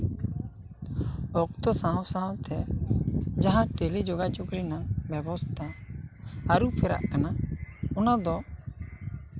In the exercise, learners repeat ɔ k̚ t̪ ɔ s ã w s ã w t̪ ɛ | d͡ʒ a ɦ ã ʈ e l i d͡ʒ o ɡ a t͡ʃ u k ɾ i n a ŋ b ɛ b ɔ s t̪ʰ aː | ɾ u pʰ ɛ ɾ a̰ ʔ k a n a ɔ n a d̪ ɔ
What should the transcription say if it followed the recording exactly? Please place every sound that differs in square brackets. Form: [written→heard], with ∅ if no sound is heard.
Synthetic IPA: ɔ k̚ t̪ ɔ s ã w s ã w t̪ ɛ | d͡ʒ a ɦ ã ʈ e l i d͡ʒ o ɡ a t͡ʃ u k ɾ i n a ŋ b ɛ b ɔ s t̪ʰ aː | ɾ u pʰ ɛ ɾ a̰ ʔ k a n a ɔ n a d̪ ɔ